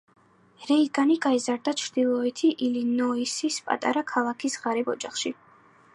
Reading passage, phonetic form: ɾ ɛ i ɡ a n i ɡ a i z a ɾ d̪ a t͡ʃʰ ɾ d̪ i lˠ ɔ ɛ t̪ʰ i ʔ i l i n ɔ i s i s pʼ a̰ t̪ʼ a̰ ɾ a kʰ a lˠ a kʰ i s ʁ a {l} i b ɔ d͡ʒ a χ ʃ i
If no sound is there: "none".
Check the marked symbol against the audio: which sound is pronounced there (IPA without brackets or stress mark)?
ɾ